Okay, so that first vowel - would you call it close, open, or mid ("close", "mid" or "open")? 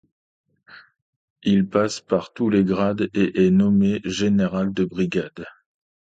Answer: close